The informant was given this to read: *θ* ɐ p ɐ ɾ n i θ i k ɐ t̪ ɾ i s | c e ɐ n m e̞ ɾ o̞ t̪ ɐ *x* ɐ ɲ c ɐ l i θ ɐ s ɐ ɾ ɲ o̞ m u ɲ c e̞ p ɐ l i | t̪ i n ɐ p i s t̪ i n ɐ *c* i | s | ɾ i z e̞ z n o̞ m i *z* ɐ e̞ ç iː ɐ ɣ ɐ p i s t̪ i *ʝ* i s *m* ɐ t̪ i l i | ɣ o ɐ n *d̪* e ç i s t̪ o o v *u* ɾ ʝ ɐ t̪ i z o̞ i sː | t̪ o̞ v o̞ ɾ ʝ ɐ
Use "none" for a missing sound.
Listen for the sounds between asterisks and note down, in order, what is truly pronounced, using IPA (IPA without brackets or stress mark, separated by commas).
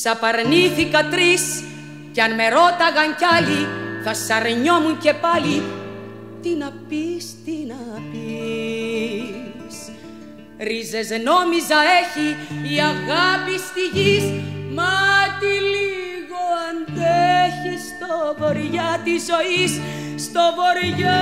s, ɣ, p, z, ʝ, m, d̪, o